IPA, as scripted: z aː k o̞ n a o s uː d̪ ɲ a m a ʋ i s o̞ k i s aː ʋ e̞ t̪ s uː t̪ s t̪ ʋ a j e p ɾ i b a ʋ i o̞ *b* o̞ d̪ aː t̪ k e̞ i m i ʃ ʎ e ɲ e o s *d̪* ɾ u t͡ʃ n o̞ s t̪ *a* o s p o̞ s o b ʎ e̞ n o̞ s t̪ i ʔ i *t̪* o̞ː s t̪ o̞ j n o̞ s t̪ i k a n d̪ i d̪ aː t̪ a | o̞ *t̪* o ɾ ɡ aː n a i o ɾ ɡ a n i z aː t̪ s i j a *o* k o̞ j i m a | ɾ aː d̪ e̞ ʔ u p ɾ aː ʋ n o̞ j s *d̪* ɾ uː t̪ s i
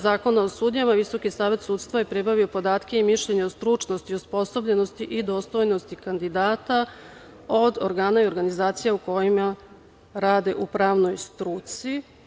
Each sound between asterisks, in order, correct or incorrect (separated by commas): incorrect, incorrect, incorrect, incorrect, incorrect, incorrect, incorrect